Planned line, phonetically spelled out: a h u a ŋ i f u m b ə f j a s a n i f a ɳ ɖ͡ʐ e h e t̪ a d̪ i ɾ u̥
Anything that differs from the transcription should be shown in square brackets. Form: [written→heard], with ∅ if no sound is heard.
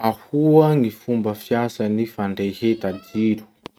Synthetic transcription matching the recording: a h u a ŋ i f u m b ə f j a s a n i f a ɳ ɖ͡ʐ e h e t̪ a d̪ i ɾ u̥